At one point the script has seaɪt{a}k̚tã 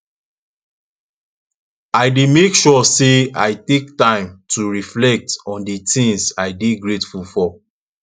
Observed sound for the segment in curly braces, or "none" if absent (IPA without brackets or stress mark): e